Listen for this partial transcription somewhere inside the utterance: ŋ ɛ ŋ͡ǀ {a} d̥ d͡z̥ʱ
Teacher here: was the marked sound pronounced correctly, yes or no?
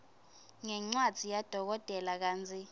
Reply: yes